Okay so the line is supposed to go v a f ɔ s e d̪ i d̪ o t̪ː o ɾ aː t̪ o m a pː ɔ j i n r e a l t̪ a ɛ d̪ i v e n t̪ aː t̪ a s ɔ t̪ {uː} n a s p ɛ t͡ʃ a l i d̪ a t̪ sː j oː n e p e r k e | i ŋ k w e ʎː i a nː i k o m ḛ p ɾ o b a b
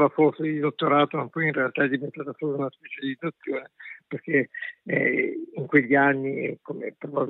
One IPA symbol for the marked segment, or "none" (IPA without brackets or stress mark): u